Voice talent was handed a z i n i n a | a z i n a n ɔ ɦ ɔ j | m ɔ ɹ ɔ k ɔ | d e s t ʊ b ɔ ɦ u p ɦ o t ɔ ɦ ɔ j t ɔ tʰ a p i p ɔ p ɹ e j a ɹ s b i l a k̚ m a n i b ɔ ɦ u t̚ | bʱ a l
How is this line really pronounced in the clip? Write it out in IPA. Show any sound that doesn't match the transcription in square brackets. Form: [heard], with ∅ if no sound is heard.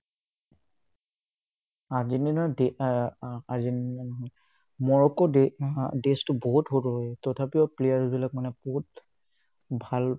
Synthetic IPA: a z i n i n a | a z i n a n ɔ ɦ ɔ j | m ɔ ɹ ɔ k ɔ | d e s t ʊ b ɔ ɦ u [t] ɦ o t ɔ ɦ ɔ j t ɔ tʰ a p i [∅] ɔ p [l] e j a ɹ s b i l a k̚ m a n [ɛ] b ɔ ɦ u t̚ | bʱ a l